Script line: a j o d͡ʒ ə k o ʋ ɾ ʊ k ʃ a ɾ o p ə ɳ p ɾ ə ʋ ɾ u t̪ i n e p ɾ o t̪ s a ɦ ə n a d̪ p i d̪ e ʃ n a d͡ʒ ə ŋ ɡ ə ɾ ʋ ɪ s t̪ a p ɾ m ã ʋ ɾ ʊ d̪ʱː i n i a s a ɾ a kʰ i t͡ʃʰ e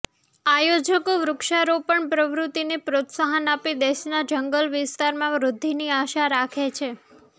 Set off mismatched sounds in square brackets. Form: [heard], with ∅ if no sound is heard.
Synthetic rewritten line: a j o d͡ʒ ə k o ʋ ɾ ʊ k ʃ a ɾ o p ə ɳ p ɾ ə ʋ ɾ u t̪ i n e p ɾ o t̪ s a ɦ ə n a [∅] p i d̪ e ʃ n a d͡ʒ ə ŋ ɡ ə [l] ʋ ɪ s t̪ a [∅] ɾ m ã ʋ ɾ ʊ d̪ʱː i n i a [ʃ] a ɾ a kʰ [e] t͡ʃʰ e